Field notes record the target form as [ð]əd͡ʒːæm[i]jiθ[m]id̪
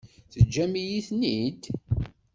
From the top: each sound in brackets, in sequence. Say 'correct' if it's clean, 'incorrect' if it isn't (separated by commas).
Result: incorrect, correct, incorrect